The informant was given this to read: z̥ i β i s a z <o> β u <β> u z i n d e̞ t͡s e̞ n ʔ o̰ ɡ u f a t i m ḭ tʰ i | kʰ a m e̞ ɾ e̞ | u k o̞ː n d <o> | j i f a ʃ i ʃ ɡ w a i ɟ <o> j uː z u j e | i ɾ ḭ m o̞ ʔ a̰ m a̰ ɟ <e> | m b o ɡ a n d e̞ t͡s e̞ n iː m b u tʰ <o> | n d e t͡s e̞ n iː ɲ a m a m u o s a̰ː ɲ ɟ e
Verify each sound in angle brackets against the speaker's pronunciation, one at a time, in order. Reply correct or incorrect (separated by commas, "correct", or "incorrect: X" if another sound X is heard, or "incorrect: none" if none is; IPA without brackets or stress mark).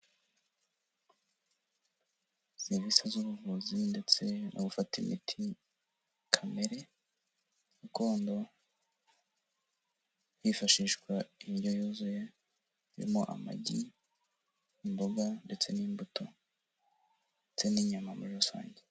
incorrect: u, incorrect: v, correct, correct, incorrect: i, correct